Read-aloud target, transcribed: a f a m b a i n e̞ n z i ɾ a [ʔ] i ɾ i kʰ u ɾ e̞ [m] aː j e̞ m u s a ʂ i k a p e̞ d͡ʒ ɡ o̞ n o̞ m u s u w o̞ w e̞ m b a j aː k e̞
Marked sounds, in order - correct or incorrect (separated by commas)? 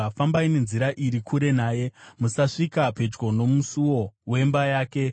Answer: correct, incorrect